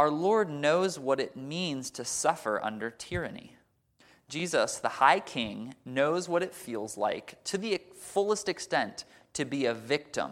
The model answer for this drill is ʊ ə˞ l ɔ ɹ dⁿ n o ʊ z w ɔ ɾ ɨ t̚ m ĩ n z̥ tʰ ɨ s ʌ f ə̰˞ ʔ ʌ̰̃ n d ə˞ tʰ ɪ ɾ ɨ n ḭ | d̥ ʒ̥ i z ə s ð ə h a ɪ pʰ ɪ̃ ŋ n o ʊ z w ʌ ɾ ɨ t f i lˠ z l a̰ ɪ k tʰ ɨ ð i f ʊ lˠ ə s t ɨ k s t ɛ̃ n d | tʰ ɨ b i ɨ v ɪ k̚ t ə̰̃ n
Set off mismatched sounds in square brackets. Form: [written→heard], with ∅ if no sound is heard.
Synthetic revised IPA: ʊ ə˞ l ɔ ɹ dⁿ n o ʊ z w [ɔ→ʌ] ɾ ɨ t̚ m ĩ n z̥ tʰ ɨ s ʌ f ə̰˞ ʔ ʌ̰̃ n d ə˞ tʰ ɪ [ɾ→ɹ] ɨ n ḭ | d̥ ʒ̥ i z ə s ð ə h a ɪ [pʰ→kʰ] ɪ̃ ŋ n o ʊ z w ʌ ɾ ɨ t f i lˠ z l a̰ ɪ k tʰ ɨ ð i f ʊ lˠ ə s t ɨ k s t ɛ̃ n [d→t] | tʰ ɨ b i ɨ v ɪ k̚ t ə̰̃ [n→m]